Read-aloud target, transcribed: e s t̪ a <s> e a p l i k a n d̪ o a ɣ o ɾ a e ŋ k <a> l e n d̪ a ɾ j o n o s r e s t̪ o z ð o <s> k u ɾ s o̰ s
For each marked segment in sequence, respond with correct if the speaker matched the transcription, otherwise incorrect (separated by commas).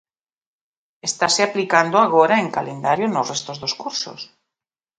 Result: correct, correct, correct